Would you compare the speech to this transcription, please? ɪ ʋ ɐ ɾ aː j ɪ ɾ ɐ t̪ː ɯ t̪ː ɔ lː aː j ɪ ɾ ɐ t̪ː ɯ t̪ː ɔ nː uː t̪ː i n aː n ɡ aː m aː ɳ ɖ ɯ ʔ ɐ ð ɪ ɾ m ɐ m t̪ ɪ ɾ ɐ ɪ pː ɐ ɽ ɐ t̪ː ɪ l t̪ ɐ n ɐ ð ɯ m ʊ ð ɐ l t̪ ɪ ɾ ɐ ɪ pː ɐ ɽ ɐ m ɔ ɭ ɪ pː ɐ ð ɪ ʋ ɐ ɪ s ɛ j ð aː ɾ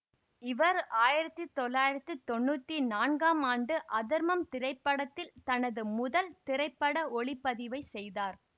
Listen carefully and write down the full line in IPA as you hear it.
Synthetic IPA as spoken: ɪ ʋ ɐ ɾ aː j ɪ ɾ ɐ t̪ː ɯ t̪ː ɔ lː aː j ɪ ɾ ɐ t̪ː ɯ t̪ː ɔ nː uː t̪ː i n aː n ɡ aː m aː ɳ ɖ ɯ ʔ ɐ ð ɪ ɾ m ɐ m t̪ ɪ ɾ ɐ ɪ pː ɐ ɽ ɐ t̪ː ɪ l t̪ ɐ n ɐ ð ɯ m ʊ ð ɐ l t̪ ɪ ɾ ɐ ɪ pː ɐ ɽ ɐ ɔ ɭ ɪ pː ɐ ð ɪ ʋ ɐ ɪ s ɛ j ð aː ɾ

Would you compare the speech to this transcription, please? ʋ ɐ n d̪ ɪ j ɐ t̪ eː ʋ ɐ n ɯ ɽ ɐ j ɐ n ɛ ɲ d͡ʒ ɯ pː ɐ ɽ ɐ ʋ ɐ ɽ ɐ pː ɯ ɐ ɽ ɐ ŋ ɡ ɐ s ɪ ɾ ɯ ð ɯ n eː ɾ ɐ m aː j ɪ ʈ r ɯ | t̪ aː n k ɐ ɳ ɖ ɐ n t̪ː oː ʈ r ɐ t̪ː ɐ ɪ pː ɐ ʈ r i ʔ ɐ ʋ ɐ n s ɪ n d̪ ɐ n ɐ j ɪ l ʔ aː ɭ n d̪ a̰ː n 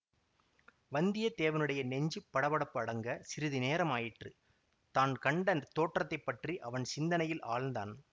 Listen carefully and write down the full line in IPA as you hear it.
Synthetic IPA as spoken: ʋ ɐ n d̪ ɪ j ɐ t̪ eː ʋ ɐ n ɯ ɽ ɐ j ɐ n ɛ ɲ d͡ʒ ɯ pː ɐ ɽ ɐ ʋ ɐ ɽ ɐ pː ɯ ɐ ɽ ɐ ŋ ɡ ɐ s ɪ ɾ ɯ ð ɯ n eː ɾ ɐ m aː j ɪ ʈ r ɯ | t̪ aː n k ɐ ɳ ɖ ɐ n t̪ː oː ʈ r ɐ t̪ː ɐ ɪ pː ɐ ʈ r i ʔ ɐ ʋ ɐ n s ɪ n d̪ ɐ n ɐ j ɪ l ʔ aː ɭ n d̪ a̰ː n

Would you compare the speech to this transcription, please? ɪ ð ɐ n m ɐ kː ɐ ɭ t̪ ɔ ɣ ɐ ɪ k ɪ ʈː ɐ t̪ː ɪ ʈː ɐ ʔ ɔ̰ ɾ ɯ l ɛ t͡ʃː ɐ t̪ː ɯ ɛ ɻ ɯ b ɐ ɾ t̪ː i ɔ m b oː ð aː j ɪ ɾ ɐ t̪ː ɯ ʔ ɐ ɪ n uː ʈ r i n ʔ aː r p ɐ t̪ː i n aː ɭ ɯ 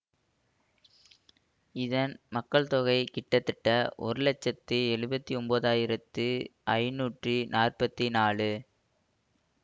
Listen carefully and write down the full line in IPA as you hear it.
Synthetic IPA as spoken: ɪ ð ɐ n m ɐ kː ɐ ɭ t̪ ɔ ɣ ɐ ɪ k ɪ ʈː ɐ t̪ː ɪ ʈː ɐ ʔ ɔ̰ ɾ ɯ l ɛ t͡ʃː ɐ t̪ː ɯ ɛ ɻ ɯ b ɐ t̪ː i ɔ m b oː ð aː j ɪ ɾ ɐ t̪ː ɯ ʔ ɐ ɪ n uː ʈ r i n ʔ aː r p ɐ t̪ː i n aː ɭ ɯ

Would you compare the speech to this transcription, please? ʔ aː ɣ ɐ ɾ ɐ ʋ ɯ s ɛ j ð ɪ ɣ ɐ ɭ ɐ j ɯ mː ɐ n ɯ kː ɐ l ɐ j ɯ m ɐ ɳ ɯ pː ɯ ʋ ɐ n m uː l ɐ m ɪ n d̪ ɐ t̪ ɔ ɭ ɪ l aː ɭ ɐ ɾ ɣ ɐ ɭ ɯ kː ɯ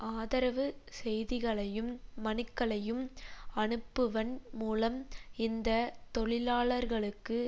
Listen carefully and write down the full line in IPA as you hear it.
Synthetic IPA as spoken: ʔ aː ð ɐ ɾ ɐ ʋ ɯ s ɛ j ð ɪ ɣ ɐ ɭ ɐ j ɯ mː ɐ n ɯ kː ɐ ɭ ɐ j ɯ m ɐ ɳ ɯ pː ɯ ʋ ɐ n m uː l ɐ m ɪ n d̪ ɐ t̪ ɔ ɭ ɪ l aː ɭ ɐ ɾ ɣ ɐ ɭ ɯ kː ɯ

